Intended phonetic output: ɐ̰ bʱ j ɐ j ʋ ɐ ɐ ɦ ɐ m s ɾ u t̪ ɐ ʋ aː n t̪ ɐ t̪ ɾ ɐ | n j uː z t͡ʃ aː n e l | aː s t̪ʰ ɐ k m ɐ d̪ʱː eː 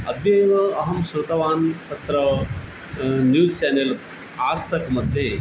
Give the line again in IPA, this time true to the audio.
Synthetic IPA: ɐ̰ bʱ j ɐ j ʋ ɐ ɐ ɦ ɐ m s ɾ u t̪ ɐ ʋ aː n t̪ ɐ t̪ ɾ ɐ | n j uː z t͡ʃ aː n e l | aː s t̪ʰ ɐ k m ɐ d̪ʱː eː